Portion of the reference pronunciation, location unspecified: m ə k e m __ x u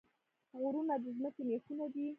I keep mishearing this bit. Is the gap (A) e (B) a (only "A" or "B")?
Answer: A